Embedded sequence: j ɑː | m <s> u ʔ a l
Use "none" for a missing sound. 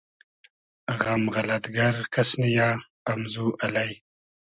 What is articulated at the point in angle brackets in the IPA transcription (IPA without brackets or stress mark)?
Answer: z